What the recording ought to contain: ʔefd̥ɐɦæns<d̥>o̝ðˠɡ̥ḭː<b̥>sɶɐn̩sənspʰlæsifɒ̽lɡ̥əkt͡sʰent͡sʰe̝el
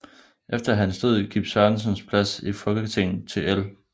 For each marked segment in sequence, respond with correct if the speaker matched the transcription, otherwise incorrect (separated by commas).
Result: correct, correct